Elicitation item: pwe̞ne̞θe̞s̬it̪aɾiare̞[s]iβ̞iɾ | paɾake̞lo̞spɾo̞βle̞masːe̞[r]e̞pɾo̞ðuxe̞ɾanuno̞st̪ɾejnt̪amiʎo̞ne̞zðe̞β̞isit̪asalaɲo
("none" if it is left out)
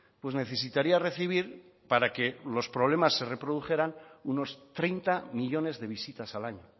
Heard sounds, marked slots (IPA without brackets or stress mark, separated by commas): θ, r